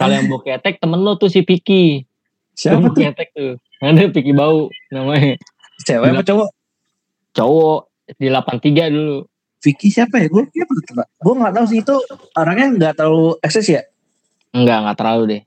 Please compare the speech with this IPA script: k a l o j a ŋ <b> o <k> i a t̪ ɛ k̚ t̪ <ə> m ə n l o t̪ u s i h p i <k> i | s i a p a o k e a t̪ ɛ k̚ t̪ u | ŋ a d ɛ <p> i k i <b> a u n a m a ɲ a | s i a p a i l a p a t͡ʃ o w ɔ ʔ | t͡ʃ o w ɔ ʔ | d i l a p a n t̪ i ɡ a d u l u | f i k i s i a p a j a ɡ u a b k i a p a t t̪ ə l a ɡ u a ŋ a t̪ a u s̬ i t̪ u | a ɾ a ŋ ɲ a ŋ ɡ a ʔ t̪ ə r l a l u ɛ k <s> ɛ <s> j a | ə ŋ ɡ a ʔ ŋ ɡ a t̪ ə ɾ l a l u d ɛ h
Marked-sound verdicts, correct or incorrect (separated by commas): correct, correct, correct, correct, correct, correct, correct, correct